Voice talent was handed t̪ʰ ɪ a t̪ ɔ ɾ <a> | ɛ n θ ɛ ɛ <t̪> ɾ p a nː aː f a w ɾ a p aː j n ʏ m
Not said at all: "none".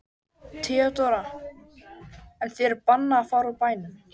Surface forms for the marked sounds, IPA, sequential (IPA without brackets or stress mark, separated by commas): a, none